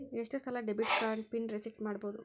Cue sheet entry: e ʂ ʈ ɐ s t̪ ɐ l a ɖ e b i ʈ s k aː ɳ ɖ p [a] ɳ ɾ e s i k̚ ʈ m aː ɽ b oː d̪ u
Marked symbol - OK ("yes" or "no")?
no